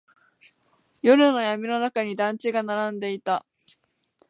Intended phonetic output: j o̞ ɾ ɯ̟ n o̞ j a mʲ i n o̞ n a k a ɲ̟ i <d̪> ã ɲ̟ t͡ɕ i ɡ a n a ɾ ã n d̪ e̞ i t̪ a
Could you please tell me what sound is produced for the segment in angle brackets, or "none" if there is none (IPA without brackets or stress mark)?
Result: d̪